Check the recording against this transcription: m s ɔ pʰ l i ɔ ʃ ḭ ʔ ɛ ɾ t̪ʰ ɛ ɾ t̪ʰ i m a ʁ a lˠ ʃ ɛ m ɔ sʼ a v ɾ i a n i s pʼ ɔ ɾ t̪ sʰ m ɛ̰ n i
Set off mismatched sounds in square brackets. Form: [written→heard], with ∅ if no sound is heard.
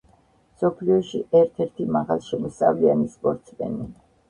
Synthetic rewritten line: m s ɔ pʰ l i ɔ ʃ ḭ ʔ ɛ ɾ t̪ʰ ɛ ɾ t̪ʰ i m a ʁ a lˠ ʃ ɛ m ɔ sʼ a v [ɾ→l] i a n i s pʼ ɔ ɾ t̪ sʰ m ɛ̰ n i